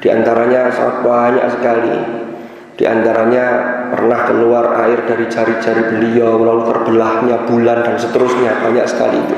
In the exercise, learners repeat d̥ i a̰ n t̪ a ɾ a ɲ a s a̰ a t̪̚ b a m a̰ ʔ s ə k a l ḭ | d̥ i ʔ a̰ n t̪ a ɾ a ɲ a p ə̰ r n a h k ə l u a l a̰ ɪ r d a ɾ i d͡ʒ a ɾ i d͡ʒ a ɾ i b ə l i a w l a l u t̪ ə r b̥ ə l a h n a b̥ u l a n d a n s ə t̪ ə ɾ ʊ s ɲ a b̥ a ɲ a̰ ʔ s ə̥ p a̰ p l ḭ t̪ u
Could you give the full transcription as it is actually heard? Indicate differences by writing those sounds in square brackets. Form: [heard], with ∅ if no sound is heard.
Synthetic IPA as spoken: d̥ i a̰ n t̪ a ɾ a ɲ a s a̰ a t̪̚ b a [ɲ] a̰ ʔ s ə k a l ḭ | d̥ i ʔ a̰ n t̪ a ɾ a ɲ a p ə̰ r n a h k ə l u a [r] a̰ ɪ r d a ɾ i d͡ʒ a ɾ i d͡ʒ a ɾ i b ə l i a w l a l u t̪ ə r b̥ ə l a h [ɲ] a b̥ u l a n d a n s ə t̪ ə ɾ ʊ s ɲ a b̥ a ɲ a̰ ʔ s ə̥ [k] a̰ [∅] l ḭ t̪ u